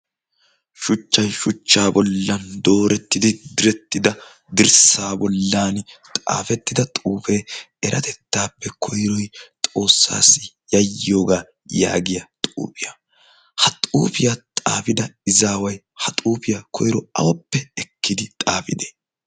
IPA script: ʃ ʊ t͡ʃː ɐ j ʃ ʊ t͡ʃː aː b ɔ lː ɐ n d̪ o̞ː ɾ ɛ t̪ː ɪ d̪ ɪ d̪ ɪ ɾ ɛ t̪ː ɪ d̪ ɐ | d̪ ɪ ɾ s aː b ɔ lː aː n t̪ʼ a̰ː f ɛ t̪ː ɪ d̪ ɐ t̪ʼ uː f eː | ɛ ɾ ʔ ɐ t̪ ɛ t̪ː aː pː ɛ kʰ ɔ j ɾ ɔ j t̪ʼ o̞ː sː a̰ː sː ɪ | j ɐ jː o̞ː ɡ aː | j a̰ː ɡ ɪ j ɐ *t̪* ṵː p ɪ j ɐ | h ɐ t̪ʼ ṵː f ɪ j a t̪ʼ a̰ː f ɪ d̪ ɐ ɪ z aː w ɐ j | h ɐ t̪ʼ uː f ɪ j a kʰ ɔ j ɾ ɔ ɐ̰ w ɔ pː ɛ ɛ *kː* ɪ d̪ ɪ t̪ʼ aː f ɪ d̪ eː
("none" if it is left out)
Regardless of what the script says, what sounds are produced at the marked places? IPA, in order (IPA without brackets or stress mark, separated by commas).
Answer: t̪ʼ, kː